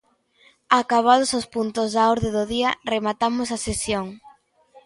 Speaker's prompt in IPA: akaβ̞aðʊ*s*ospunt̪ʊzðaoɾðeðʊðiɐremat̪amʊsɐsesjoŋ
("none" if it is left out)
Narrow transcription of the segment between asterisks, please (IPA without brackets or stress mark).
s